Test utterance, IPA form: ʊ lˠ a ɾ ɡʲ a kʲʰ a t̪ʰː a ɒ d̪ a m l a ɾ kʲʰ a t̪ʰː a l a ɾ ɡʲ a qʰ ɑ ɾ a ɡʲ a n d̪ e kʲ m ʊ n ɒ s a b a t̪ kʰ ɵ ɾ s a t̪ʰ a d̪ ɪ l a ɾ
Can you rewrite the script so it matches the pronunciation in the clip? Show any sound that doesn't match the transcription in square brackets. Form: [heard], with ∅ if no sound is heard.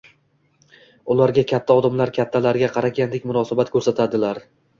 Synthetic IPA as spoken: ʊ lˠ a ɾ ɡʲ a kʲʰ a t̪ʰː a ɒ d̪ a m l a ɾ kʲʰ a t̪ʰː a l a ɾ ɡʲ a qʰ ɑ ɾ a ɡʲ a n d̪ e kʲ m ʊ n ɒ s a b a t̪ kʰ ɵ ɾ s a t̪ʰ a d̪ ɪ l a ɾ